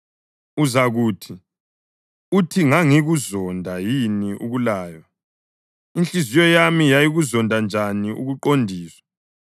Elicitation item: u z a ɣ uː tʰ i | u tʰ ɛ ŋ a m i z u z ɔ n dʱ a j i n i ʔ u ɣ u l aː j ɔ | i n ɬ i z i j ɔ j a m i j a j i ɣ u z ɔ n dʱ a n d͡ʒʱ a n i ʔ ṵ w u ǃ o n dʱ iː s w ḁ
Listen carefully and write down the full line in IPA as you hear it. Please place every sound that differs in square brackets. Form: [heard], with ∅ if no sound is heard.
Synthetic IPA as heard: u z a ɣ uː tʰ i | u tʰ [i] ŋ a [ŋ] i [ɣ] u z ɔ n dʱ a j i n i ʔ u ɣ u l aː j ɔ | i n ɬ i z i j ɔ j a m i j a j i ɣ u z ɔ n dʱ a n d͡ʒʱ a n i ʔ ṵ [ɣ] u ǃ o n dʱ iː s w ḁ